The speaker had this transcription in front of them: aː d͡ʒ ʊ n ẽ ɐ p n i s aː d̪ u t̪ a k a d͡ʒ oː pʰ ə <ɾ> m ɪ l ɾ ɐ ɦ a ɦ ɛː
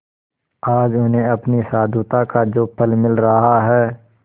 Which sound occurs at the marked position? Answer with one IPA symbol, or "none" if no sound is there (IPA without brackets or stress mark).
l